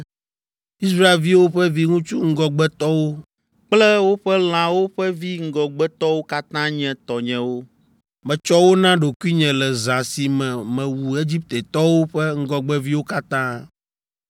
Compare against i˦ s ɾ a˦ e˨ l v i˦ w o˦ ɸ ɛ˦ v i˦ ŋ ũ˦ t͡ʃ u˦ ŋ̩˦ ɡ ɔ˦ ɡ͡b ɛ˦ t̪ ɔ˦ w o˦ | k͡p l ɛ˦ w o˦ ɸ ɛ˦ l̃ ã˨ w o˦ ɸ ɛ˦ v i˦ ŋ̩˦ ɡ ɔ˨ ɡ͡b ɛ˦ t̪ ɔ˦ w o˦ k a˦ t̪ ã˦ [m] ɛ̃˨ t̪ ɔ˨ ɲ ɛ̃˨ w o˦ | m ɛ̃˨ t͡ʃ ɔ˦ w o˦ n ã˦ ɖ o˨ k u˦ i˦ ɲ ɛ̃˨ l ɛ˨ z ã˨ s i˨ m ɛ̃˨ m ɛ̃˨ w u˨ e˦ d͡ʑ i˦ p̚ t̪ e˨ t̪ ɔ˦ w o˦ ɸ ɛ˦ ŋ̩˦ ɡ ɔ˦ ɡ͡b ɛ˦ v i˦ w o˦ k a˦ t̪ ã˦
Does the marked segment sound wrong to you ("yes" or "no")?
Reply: yes